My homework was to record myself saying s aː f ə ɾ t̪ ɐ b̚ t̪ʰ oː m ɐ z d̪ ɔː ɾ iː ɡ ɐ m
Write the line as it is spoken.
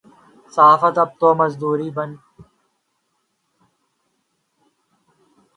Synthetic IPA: s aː f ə t̪ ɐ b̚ t̪ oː m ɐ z d̪ uː ɾ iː b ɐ n